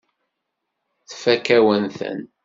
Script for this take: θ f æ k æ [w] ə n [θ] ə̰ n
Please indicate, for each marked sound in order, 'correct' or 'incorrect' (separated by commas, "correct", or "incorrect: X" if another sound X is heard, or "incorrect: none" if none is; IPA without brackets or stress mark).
correct, correct